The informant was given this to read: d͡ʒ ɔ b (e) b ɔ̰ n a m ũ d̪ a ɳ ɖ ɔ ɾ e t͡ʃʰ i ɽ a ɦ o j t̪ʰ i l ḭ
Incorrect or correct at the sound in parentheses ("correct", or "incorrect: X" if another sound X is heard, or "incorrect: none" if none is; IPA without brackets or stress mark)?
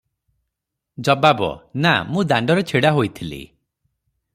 incorrect: a